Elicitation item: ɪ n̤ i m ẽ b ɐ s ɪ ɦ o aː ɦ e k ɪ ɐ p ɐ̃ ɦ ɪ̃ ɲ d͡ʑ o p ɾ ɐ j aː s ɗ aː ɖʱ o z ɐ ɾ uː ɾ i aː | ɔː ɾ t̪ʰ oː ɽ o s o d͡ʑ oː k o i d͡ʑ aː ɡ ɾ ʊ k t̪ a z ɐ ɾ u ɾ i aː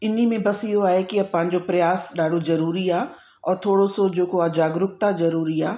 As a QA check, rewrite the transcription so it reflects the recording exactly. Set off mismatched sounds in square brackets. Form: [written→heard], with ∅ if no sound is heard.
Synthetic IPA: ɪ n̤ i m ẽ b ɐ s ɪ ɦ o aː ɦ e k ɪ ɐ p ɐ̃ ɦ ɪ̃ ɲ d͡ʑ o p ɾ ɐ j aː s ɗ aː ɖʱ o z ɐ ɾ uː ɾ i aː | ɔː ɾ t̪ʰ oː ɽ o s o d͡ʑ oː k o [i→a] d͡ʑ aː ɡ ɾ ʊ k t̪ a z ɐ ɾ [u→uː] ɾ i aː